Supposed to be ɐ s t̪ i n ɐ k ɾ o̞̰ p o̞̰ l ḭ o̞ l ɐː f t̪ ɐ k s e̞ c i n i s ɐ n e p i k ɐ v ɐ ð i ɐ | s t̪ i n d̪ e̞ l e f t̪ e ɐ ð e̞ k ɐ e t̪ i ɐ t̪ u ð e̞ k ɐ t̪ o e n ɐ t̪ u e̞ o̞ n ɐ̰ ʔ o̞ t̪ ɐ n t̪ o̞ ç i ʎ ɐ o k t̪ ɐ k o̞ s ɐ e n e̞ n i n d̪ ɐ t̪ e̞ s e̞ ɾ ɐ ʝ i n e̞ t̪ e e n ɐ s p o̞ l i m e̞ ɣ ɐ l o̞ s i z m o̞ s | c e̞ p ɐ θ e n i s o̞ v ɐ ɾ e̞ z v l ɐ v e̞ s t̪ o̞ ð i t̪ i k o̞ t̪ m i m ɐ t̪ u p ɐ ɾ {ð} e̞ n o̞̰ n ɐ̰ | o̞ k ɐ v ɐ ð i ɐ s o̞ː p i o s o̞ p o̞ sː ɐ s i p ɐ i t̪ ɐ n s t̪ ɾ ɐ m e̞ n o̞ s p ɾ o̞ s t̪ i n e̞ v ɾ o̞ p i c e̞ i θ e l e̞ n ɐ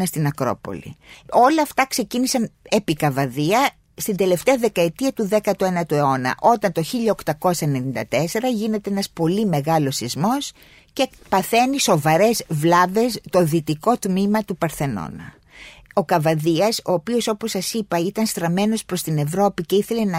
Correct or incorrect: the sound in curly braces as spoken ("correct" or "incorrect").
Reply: incorrect